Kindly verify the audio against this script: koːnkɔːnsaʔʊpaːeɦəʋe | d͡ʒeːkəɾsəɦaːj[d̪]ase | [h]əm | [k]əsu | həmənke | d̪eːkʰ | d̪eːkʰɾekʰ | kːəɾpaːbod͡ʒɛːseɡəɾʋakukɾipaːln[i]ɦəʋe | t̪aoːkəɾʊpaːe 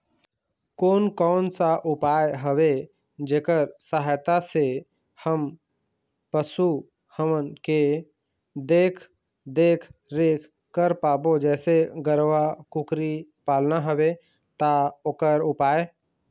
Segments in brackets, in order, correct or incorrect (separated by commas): incorrect, correct, incorrect, incorrect